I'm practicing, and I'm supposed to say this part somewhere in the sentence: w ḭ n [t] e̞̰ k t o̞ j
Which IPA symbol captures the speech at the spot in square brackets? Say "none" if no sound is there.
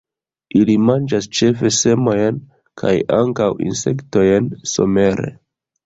s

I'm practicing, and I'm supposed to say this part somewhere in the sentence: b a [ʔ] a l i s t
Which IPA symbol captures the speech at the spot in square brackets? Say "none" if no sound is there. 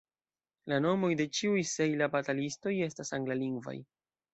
t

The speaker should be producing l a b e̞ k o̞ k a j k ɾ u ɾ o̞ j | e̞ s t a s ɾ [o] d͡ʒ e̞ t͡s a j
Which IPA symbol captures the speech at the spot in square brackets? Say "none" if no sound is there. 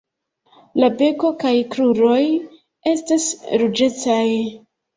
u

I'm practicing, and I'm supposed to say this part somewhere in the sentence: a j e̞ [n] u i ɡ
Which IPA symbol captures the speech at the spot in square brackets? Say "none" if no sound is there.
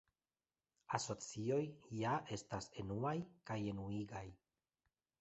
n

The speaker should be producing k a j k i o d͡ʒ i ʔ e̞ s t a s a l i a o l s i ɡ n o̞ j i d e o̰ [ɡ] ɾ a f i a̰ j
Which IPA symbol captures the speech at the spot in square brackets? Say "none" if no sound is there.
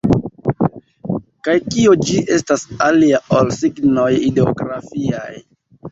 ɡ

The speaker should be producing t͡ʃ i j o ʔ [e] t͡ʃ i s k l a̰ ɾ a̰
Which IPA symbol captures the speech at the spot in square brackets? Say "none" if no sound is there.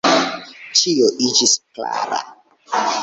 i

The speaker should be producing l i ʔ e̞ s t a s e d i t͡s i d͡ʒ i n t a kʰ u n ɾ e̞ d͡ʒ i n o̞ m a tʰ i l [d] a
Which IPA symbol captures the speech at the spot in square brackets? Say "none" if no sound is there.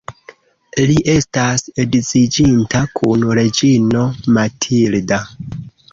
d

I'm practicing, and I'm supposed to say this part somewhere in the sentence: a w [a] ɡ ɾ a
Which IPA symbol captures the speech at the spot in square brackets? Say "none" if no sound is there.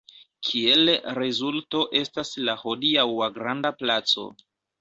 a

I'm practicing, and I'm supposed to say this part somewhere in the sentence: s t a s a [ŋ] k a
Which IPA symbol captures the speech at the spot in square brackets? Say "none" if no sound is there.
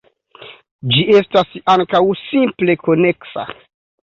ŋ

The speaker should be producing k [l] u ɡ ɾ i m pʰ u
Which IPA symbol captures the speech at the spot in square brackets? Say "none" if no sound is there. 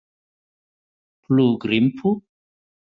l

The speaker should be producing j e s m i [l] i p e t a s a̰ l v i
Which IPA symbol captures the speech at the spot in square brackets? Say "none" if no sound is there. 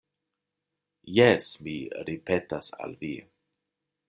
ɾ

